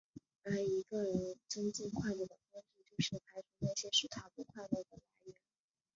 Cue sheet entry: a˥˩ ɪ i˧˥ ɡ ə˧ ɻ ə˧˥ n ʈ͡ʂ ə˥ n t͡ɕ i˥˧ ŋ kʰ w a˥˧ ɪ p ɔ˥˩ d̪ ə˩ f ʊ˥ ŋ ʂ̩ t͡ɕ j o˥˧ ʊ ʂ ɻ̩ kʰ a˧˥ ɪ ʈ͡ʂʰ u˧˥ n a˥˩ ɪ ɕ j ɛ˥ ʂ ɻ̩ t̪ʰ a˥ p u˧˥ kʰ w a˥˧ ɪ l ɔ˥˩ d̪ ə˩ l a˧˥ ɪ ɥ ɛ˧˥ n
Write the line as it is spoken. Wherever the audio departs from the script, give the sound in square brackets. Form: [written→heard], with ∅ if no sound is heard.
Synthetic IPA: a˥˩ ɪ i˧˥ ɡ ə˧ ɻ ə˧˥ n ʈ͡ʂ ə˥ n t͡ɕ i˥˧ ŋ kʰ w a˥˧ ɪ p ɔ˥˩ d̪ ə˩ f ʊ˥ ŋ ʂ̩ t͡ɕ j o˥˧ ʊ ʂ ɻ̩ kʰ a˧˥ ɪ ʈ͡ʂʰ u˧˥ n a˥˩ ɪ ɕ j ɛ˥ ʂ ɻ̩ t̪ʰ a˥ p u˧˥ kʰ w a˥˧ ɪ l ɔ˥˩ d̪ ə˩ l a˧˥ ɪ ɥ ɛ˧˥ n